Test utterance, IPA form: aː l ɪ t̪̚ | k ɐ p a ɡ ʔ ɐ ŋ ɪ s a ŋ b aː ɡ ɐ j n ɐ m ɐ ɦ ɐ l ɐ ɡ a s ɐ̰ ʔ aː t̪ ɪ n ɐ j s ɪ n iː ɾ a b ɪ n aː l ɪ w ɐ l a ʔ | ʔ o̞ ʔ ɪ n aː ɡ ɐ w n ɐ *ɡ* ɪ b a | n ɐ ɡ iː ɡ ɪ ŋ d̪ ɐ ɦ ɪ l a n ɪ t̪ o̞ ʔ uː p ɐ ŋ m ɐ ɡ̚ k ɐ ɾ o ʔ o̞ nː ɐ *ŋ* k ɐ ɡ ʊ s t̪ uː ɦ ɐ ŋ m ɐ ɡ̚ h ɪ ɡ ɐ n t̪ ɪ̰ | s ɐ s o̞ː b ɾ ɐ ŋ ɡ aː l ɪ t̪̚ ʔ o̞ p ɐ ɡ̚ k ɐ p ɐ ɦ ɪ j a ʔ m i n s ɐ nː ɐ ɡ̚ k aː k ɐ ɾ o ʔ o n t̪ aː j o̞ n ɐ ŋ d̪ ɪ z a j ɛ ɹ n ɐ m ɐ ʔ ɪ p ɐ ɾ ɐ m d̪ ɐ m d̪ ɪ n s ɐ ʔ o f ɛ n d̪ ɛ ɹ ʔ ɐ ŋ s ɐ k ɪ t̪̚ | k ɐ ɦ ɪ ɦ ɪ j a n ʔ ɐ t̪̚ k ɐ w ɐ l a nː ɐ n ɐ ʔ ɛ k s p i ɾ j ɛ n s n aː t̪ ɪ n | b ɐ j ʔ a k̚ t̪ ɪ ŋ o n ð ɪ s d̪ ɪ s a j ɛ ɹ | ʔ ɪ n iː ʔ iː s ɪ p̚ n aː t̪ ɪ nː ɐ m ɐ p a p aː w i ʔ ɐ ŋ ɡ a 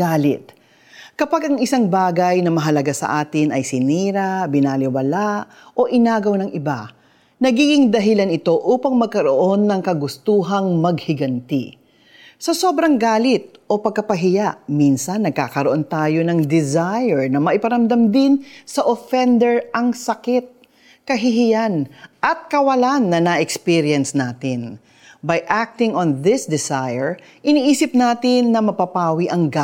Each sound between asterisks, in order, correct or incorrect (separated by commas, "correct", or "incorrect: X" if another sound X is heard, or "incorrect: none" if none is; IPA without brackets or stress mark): incorrect: ŋ, correct